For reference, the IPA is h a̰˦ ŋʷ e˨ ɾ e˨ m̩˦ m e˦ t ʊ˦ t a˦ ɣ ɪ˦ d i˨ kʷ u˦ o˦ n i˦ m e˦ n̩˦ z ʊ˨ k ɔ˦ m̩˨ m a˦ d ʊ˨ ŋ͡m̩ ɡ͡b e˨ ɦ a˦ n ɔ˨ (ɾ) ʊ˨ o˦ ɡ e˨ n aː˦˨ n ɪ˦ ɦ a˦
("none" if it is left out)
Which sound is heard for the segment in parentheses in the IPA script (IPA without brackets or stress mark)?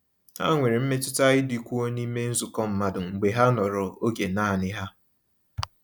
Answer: ɾ